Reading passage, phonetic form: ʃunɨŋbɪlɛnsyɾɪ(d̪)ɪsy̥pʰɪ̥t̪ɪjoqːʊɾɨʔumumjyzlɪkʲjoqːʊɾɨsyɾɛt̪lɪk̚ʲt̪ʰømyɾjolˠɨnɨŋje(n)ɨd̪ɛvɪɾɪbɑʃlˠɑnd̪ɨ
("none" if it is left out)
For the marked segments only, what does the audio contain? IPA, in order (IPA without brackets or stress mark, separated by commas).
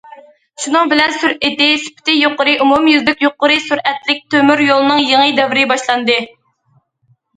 t̪, ŋ